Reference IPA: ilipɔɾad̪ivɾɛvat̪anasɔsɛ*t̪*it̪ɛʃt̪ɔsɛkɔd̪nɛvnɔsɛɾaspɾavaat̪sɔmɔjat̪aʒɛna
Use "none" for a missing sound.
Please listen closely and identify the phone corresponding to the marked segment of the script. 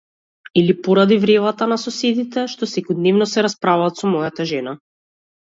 d̪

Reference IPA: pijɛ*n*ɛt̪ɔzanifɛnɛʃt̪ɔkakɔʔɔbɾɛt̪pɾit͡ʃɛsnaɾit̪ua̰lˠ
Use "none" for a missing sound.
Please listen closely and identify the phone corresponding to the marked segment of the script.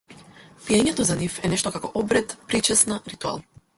ɲ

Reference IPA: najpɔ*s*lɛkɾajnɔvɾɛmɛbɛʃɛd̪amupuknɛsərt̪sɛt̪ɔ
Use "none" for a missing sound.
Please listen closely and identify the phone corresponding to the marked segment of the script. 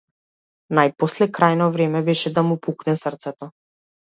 s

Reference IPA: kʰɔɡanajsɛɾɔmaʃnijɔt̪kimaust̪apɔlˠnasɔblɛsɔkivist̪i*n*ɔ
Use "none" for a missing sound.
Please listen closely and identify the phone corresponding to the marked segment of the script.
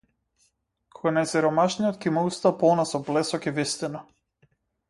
n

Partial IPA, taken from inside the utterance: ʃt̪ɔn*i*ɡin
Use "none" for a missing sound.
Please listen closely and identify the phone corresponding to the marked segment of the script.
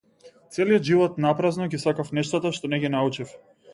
ɛ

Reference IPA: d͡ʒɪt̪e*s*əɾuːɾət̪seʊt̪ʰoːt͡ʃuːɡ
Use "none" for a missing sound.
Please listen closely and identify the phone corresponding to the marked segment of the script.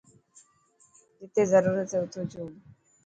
z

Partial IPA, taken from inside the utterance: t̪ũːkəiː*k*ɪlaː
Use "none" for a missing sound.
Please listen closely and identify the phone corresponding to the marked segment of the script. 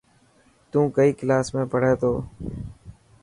k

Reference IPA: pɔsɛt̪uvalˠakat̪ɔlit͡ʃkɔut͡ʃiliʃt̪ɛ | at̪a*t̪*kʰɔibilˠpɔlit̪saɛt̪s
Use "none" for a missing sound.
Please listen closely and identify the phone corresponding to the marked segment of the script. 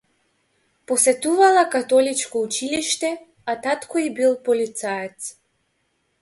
t̪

